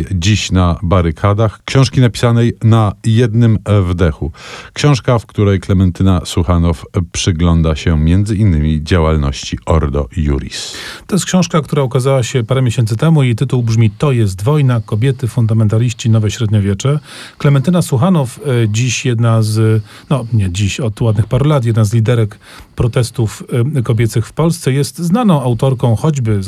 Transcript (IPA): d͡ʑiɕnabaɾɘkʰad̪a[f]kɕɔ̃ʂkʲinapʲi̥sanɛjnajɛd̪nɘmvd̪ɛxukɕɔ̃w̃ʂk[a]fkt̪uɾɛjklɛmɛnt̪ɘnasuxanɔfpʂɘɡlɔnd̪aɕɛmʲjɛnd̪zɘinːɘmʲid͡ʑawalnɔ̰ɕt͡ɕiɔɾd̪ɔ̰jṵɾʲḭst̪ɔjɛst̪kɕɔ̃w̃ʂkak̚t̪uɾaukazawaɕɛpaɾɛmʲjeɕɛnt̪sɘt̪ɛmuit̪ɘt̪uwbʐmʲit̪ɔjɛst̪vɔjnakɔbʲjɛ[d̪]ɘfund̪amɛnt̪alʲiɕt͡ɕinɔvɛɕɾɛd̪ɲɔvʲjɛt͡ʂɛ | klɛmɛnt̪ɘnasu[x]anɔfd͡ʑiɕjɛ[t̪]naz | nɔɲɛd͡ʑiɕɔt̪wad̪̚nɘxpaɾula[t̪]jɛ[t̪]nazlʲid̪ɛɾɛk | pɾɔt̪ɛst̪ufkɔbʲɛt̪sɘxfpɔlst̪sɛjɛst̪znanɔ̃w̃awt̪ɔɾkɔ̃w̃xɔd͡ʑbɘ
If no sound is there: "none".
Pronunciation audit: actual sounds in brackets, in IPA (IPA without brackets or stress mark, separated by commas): x, a, t̪, x, d̪, t̪, d̪